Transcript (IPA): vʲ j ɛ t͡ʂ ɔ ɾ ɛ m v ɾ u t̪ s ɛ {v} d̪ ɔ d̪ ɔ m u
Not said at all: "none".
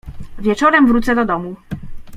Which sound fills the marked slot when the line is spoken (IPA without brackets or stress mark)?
none